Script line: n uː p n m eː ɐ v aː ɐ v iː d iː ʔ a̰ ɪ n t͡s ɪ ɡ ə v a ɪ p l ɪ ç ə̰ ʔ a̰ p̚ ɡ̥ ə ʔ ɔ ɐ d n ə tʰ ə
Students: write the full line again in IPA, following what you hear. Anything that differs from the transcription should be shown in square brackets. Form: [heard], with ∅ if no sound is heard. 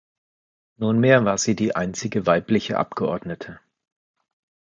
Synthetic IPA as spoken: n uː [∅] n m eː ɐ v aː ɐ [z] iː d iː ʔ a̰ ɪ n t͡s ɪ ɡ ə v a ɪ p l ɪ ç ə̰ ʔ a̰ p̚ ɡ̥ ə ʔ ɔ ɐ d n ə tʰ ə